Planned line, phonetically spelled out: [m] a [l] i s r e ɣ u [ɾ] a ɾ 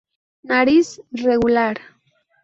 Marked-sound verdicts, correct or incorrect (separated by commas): incorrect, incorrect, incorrect